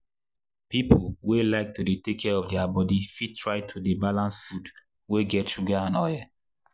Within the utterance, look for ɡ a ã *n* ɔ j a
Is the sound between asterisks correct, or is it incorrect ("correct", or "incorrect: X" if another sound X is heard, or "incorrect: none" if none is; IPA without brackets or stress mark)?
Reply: correct